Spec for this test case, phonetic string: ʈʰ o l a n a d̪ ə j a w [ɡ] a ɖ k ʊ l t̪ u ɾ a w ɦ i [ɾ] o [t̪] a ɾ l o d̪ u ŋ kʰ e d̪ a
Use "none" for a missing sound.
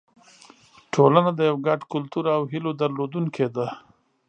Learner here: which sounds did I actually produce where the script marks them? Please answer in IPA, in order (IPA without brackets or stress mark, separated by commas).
ɡ, l, d̪